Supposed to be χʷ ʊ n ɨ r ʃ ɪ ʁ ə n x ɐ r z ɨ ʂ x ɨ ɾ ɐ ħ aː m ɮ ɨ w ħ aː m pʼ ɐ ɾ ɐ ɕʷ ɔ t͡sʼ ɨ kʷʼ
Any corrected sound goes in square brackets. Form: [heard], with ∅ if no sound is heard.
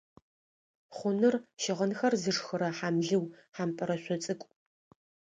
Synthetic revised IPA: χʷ ʊ n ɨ r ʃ ɪ ʁ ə n x ɐ r z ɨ ʂ x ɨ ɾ ɐ ħ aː m ɮ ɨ w ħ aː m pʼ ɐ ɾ ɐ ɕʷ ɔ t͡sʼ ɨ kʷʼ